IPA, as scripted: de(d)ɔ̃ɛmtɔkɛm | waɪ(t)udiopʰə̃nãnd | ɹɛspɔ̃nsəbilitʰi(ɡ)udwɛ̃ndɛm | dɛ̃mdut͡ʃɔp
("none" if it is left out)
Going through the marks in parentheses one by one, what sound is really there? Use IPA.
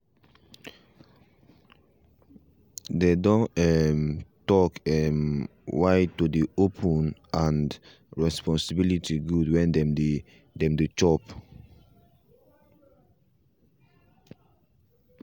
d, t, ɡ

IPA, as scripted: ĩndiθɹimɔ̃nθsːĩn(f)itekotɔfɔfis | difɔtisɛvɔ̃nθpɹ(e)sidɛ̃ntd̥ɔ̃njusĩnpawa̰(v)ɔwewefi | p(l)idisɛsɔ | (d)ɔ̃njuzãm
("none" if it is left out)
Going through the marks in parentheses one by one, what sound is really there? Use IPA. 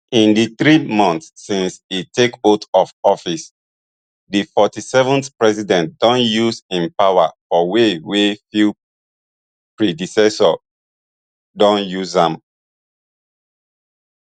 s, ɛ, f, ɹ, d

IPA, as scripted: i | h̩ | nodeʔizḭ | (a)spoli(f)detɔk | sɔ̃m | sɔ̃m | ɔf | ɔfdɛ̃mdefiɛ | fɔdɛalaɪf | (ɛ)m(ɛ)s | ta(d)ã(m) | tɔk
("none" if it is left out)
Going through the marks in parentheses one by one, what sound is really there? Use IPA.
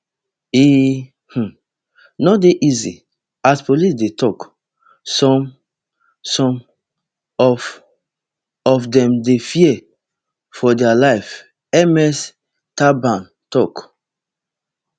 a, s, ɛ, ɛ, b, n

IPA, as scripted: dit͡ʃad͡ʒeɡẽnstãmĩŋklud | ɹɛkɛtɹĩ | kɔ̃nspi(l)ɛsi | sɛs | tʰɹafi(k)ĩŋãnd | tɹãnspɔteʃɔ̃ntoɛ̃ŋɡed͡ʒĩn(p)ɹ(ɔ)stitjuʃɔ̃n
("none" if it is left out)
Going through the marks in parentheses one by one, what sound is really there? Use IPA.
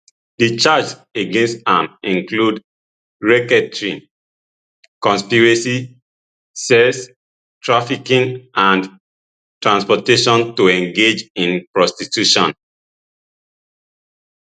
ɹ, k, p, ɔ

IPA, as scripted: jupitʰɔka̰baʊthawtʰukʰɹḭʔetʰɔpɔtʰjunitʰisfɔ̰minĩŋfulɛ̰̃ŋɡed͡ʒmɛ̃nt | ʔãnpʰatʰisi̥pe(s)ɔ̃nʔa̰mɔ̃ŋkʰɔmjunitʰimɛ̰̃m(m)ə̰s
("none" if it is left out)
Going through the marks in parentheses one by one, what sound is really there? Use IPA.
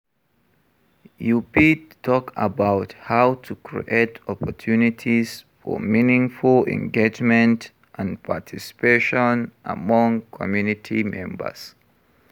ʃ, b

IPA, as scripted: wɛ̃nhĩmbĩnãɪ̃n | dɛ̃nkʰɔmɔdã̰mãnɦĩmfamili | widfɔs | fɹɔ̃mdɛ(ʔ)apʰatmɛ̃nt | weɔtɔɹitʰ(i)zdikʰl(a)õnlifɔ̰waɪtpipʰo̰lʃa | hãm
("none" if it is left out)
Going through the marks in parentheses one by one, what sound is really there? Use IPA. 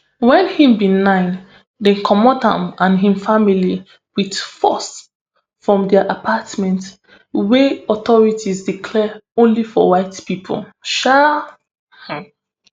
ʔ, i, ɛ

